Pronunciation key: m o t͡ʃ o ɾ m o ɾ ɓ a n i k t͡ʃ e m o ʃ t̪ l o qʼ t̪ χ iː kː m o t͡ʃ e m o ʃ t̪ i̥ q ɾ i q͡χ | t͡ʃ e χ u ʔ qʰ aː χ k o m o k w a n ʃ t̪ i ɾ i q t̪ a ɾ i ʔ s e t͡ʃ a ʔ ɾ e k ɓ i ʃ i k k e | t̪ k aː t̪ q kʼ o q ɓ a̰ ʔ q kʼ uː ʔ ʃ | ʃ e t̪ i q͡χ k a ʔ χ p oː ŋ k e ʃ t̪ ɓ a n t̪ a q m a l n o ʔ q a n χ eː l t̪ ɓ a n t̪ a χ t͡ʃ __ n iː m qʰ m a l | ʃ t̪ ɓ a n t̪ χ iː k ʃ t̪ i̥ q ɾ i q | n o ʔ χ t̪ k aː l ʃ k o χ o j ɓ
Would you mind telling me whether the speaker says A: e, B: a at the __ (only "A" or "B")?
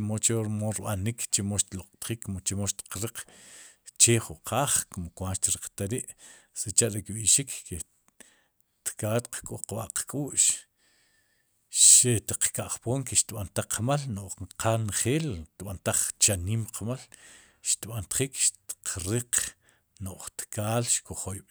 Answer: B